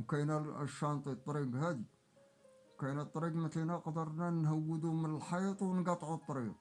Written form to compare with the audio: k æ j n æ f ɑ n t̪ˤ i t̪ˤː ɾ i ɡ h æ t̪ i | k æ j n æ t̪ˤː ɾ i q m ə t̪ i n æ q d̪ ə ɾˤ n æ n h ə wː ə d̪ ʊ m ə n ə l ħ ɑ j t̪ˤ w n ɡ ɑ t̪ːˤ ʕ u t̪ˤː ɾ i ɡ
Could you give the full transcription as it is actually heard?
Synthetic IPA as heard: k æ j n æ ʃ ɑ n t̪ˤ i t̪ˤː ɾ i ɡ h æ d̪ i | k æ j n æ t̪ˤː ɾ i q m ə t̪ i n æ q d̪ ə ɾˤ n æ n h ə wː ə d̪ u m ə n ə l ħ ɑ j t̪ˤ w n ɡ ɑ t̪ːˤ ʕ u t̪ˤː ɾ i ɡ